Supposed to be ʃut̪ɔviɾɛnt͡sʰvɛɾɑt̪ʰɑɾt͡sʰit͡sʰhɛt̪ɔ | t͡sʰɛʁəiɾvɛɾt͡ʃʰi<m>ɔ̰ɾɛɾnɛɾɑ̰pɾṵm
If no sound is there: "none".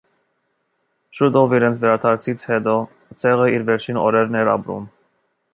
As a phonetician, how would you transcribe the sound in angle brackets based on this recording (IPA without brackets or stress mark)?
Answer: n